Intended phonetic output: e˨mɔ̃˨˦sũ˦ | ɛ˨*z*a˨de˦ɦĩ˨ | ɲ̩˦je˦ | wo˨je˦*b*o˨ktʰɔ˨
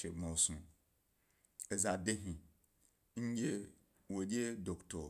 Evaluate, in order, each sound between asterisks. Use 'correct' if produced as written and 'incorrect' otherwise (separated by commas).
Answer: correct, incorrect